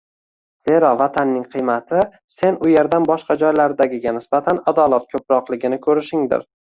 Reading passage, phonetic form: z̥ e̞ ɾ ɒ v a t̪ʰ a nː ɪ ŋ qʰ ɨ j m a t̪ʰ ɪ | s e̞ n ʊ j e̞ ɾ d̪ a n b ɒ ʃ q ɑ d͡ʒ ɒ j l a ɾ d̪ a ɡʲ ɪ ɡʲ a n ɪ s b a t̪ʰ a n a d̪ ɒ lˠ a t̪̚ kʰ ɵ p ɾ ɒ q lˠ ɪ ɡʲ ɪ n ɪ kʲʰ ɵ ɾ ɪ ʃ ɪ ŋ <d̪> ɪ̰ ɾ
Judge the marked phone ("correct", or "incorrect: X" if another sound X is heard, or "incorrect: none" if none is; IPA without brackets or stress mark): correct